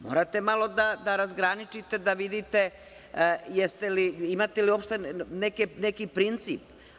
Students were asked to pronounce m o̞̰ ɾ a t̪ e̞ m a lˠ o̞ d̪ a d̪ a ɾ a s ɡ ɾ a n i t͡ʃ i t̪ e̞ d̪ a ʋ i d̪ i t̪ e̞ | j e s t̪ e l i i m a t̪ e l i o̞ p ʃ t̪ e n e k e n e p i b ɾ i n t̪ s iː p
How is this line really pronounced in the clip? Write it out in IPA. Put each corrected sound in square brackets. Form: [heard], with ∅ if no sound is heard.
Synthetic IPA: m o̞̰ ɾ a t̪ e̞ m a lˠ o̞ d̪ a d̪ a ɾ a [z] ɡ ɾ a n i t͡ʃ i t̪ e̞ d̪ a ʋ i d̪ i t̪ e̞ | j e s t̪ e l i i m a t̪ e l i o̞ p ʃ t̪ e n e k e n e [k] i [p] ɾ i n t̪ s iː p